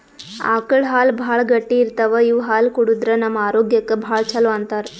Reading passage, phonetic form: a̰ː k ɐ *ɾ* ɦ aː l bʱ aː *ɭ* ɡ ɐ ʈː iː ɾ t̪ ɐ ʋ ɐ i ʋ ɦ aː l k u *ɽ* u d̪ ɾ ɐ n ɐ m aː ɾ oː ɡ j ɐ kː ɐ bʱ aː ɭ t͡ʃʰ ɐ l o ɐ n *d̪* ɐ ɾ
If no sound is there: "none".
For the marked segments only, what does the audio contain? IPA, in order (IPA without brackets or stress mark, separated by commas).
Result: ɭ, ɭ, ɽ, t̪